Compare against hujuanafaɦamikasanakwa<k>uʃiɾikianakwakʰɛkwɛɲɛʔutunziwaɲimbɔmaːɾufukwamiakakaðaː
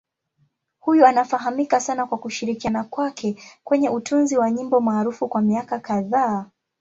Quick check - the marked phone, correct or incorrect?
correct